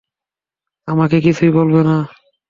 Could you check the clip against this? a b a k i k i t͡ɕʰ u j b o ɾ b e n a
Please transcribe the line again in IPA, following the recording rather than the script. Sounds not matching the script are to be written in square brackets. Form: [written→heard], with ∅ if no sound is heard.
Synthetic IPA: a [b→m] a k [i→e] k i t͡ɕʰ u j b o [ɾ→l] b e n a